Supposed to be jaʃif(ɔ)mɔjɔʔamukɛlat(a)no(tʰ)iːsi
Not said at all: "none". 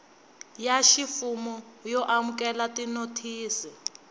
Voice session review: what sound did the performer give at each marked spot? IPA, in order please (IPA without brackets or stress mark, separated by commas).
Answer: u, i, tʰ